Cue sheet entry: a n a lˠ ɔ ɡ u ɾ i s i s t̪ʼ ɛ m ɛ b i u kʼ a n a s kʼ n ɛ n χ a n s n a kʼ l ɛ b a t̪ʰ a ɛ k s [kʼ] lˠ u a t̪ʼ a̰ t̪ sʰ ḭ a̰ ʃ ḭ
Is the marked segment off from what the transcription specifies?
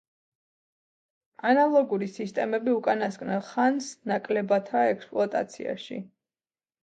yes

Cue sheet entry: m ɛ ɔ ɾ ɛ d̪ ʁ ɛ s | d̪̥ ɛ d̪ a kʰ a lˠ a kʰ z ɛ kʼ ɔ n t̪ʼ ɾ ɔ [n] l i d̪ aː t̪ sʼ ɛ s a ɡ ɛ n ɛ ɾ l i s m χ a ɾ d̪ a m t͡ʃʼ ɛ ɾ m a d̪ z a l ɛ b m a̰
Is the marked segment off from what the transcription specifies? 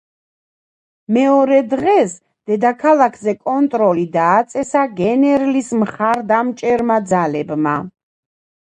yes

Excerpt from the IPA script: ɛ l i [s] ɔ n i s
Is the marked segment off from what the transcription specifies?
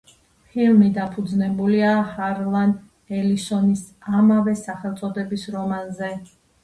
no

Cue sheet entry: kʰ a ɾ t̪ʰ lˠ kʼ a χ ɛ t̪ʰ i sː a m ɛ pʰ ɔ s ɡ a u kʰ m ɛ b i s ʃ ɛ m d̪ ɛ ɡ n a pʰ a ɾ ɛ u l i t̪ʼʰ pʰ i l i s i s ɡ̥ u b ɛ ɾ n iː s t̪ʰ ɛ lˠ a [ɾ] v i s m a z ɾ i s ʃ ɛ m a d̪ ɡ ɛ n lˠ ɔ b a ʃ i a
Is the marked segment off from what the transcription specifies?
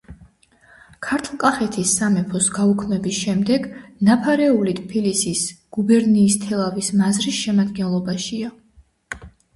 yes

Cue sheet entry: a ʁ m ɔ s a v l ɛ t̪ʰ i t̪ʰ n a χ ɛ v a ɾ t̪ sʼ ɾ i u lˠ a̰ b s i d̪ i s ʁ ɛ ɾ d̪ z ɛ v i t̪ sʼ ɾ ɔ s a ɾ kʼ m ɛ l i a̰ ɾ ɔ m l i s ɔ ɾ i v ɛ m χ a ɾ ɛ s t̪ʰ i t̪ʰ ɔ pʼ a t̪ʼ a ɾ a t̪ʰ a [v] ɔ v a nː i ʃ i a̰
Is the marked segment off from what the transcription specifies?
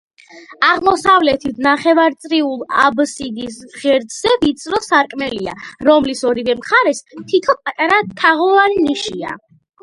yes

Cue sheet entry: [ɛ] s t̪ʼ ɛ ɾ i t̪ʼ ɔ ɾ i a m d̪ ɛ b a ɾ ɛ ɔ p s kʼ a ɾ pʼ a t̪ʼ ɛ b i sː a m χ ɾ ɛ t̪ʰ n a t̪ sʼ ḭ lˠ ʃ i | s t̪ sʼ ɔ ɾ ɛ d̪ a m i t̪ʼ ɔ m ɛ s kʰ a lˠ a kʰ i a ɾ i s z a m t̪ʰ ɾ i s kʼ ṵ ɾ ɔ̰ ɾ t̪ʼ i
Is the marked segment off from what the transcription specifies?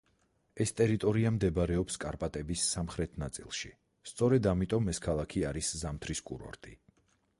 no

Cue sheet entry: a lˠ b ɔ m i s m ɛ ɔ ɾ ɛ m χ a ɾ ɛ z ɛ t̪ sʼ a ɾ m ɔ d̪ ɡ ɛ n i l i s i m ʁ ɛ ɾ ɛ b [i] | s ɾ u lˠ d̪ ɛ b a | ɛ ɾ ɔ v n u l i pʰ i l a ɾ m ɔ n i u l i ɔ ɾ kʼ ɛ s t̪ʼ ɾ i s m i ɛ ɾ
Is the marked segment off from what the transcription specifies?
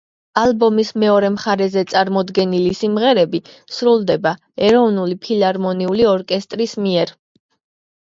no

